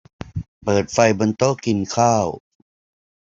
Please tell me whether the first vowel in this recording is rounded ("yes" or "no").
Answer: no